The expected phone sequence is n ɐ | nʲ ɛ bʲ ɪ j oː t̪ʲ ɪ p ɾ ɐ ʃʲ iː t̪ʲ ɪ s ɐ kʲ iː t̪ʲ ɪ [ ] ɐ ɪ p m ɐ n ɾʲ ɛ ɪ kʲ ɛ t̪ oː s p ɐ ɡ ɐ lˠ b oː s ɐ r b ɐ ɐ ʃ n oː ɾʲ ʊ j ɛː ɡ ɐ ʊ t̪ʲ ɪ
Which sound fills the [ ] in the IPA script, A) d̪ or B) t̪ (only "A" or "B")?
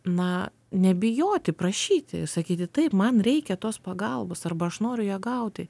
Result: B